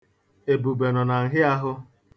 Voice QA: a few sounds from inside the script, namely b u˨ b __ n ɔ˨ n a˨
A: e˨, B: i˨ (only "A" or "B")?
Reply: A